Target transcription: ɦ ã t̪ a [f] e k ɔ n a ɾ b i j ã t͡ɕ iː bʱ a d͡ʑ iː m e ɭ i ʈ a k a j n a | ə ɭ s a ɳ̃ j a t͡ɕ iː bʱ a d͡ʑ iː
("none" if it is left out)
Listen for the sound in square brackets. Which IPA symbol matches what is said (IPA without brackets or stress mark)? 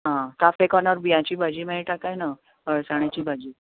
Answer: f